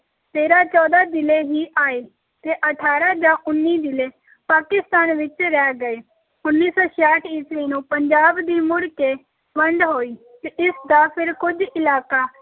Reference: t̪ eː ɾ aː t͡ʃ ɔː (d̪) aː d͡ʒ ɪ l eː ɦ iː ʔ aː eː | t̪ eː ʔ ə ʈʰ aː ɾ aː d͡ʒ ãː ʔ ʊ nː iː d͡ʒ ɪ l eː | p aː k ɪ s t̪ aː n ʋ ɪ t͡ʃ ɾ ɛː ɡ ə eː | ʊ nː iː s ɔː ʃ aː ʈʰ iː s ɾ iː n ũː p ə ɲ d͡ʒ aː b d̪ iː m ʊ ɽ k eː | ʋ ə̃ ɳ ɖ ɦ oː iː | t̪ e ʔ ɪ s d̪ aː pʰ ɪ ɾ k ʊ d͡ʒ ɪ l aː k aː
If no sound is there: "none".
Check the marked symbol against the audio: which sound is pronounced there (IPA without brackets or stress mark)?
d̪